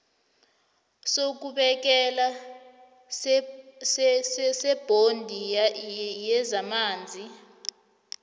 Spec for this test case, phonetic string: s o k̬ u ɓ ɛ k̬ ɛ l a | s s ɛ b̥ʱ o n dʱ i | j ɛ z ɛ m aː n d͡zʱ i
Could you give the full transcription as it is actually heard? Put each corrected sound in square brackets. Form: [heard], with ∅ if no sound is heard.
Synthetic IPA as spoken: s o k̬ u ɓ ɛ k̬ ɛ l a | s s ɛ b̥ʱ o n dʱ i | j ɛ z [a] m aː n d͡zʱ i